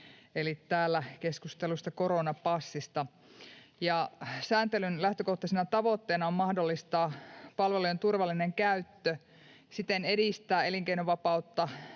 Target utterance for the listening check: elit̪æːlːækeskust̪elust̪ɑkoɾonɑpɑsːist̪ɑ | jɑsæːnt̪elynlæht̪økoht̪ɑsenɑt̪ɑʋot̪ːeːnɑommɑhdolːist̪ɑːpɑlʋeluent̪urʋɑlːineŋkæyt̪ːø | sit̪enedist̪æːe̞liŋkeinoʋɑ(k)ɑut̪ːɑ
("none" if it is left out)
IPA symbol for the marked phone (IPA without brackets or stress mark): p